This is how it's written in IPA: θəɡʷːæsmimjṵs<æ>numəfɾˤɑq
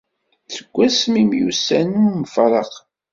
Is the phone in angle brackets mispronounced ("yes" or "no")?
no